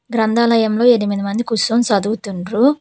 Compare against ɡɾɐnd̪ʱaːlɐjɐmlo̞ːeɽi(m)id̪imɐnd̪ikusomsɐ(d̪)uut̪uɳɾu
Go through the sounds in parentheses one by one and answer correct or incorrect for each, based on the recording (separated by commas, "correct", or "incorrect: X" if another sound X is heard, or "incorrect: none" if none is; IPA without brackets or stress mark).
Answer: correct, correct